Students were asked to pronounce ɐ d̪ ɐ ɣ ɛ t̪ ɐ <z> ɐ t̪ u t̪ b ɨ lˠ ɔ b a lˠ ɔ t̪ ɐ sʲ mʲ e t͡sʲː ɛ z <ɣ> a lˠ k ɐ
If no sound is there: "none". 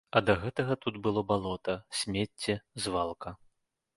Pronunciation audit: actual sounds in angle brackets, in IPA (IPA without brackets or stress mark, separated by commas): ɣ, v